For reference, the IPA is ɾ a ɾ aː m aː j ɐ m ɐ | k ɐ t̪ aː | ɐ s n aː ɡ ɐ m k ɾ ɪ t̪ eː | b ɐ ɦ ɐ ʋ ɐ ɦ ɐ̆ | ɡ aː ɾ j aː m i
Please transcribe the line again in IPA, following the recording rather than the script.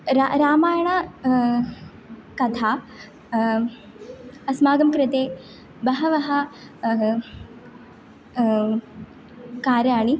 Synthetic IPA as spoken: ɾ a ɾ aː m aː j ɐ ɳ ɐ | k ɐ t̪ʰ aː | ɐ s m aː ɡ ɐ m k ɾ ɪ t̪ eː | b ɐ ɦ ɐ ʋ ɐ ɦ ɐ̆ | k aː ɾ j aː ɳ i